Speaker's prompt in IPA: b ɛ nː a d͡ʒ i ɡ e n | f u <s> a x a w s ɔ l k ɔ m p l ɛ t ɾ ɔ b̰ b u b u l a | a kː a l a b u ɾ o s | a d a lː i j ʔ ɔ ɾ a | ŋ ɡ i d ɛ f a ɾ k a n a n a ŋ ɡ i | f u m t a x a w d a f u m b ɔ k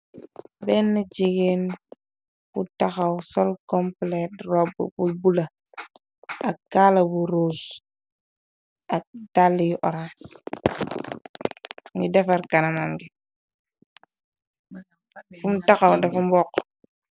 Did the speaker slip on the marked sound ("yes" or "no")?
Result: yes